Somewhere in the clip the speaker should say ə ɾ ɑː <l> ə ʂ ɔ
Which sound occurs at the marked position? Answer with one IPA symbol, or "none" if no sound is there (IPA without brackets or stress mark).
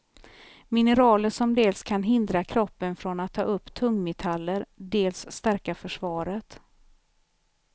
l